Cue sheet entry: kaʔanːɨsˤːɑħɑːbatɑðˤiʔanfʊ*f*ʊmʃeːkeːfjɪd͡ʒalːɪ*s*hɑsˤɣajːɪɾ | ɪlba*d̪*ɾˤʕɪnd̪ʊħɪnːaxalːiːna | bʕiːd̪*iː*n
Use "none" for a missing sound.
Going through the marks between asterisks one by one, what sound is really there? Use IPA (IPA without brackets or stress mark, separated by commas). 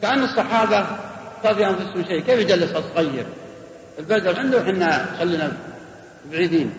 s, s, d̪, iː